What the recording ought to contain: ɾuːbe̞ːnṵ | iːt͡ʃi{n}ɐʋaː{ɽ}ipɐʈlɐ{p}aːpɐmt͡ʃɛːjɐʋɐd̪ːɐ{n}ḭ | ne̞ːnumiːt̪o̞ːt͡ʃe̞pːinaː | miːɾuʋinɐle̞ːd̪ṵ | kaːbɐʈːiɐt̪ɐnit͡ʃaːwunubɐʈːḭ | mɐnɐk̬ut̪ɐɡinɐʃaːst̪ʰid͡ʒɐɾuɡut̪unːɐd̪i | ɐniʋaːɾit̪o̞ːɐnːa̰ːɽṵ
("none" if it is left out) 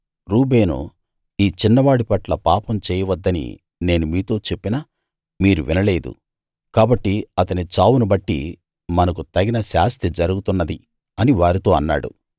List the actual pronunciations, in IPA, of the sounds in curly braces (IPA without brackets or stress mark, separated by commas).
nː, ɽ, p, n